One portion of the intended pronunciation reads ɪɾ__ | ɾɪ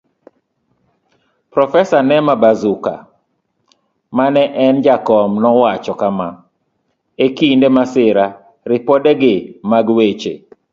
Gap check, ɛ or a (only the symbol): a